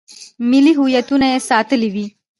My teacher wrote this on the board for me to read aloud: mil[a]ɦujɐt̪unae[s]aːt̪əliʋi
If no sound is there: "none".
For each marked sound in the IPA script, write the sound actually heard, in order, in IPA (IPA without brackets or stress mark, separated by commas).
i, s